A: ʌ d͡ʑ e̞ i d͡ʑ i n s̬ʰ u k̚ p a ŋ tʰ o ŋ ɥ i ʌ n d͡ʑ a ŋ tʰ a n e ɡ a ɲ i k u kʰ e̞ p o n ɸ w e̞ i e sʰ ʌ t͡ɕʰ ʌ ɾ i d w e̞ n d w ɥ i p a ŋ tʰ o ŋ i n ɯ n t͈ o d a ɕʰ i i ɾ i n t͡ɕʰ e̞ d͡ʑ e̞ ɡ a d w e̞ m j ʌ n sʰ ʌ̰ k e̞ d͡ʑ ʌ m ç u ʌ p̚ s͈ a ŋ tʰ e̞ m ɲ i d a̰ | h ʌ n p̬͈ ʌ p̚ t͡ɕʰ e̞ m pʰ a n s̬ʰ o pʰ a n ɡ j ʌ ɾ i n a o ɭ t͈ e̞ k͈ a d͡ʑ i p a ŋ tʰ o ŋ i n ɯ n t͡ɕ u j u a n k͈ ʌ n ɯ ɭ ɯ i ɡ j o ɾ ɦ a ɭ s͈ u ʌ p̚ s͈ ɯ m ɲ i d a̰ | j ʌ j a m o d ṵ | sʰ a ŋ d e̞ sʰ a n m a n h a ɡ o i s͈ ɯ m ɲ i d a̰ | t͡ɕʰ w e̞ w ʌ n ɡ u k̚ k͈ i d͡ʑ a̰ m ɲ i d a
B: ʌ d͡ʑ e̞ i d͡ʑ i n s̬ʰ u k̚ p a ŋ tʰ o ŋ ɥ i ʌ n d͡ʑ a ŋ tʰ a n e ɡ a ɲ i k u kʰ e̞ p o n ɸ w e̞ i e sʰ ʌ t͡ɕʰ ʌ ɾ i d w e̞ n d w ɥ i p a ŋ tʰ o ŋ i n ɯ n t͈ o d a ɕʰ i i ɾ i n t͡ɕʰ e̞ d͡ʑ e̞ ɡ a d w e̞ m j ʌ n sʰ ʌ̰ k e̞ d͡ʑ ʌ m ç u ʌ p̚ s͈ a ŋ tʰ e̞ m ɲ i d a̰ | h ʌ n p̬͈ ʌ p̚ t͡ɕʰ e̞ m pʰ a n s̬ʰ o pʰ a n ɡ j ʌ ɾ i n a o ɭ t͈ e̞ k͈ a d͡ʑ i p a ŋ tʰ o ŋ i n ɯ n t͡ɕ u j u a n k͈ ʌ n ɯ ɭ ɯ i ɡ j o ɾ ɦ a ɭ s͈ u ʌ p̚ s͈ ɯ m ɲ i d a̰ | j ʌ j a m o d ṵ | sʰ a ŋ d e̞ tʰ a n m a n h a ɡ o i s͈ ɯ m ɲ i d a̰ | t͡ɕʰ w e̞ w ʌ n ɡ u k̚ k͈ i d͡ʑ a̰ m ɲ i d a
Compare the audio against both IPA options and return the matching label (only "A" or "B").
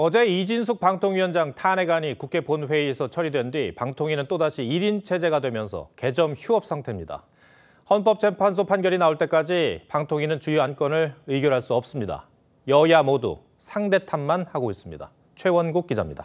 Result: B